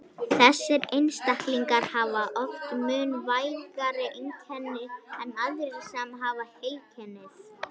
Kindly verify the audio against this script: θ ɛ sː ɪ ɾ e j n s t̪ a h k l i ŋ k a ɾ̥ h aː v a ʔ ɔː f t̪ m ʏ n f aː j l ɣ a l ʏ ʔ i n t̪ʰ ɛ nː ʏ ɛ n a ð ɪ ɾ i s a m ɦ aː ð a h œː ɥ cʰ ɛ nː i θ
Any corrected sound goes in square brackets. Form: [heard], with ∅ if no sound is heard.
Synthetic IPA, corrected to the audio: θ ɛ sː ɪ ɾ e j n s t̪ a h k l i ŋ k a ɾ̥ h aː v a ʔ [ɔ] f t̪ m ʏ n [v] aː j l ɣ a [ɾ] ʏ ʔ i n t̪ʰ ɛ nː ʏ ɛ n a ð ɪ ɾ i s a m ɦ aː [v] a h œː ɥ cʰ ɛ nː [ɪ] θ